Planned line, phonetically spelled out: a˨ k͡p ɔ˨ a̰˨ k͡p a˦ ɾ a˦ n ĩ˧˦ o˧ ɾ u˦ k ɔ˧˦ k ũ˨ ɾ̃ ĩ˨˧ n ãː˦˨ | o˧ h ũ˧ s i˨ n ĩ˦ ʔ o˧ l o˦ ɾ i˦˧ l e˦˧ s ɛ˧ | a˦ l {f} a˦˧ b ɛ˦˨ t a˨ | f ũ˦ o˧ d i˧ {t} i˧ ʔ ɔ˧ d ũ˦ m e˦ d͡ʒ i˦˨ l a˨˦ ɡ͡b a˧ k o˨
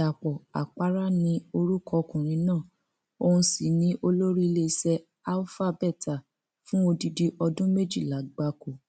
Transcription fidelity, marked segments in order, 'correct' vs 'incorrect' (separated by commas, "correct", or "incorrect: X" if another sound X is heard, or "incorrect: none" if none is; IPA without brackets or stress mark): correct, incorrect: d